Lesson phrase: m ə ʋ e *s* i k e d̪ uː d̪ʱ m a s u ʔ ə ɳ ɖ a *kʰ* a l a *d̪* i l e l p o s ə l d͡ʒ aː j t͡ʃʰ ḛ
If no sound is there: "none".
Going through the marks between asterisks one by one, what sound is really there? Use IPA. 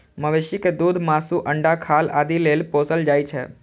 ʃ, kʰ, d̪

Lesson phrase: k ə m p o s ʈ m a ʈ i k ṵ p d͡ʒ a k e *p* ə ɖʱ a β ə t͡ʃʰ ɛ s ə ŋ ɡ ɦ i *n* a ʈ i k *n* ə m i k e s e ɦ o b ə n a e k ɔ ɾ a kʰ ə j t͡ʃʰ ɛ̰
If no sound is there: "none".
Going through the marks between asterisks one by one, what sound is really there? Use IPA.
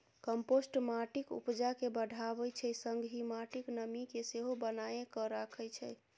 b, m, n

